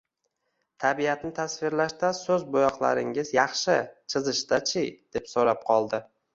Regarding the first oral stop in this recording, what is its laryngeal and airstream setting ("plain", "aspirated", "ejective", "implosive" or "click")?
aspirated